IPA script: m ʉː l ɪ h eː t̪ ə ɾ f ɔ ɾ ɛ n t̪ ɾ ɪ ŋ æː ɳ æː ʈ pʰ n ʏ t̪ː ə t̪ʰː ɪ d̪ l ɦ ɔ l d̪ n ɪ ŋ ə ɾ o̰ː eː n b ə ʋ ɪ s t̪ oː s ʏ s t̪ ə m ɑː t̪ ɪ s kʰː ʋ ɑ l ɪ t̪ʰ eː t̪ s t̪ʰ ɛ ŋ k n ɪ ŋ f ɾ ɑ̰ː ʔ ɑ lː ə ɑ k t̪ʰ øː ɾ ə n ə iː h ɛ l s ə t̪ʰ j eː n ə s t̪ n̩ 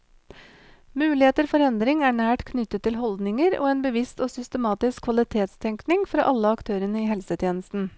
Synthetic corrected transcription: m ʉː l ɪ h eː t̪ ə ɾ f ɔ ɾ ɛ n d̪ ɾ ɪ ŋ æː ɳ æː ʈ kʰ n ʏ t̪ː ə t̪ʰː ɪ l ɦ ɔ l d̪ n ɪ ŋ ə ɾ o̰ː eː n b ə ʋ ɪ s t̪ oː s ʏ s t̪ ə m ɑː t̪ ɪ s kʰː ʋ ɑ l ɪ t̪ʰ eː t̪ s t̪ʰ ɛ ŋ k n ɪ ŋ f ɾ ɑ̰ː ʔ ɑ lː ə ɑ k t̪ʰ øː ɾ ə n ə iː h ɛ l s ə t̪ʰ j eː n ə s t̪ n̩